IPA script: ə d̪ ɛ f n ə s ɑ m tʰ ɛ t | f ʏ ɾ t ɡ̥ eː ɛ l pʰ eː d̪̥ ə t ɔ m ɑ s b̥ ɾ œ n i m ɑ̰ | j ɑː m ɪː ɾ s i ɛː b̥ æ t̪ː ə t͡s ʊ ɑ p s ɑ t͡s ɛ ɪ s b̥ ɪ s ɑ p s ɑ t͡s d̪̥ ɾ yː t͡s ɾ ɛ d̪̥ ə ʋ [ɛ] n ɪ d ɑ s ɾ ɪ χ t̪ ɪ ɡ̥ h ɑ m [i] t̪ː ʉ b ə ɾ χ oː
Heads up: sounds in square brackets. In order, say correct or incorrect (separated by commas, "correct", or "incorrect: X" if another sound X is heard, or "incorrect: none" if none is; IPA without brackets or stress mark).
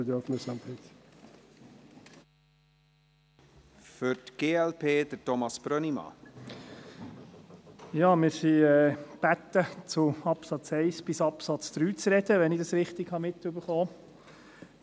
correct, incorrect: ɪ